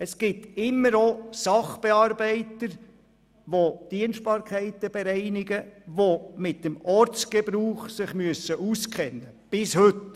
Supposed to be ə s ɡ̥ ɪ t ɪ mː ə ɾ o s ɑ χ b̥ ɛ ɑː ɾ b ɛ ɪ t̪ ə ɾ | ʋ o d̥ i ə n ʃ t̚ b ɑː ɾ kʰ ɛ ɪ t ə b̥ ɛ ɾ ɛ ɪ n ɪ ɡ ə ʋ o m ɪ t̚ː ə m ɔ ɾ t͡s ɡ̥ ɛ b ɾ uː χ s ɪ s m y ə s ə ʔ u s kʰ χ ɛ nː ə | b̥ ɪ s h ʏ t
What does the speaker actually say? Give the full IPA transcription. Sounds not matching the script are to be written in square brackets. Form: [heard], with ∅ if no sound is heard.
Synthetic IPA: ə s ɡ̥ ɪ t ɪ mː ə ɾ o s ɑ χ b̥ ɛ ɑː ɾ b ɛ ɪ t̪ ə ɾ | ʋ o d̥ i ə n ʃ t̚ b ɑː ɾ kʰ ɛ ɪ t ə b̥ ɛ ɾ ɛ ɪ n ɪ ɡ ə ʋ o m ɪ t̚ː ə m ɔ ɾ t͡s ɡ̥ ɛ b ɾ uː χ s ɪ [χ] m y ə s ə ʔ u s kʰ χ ɛ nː ə | b̥ ɪ s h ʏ t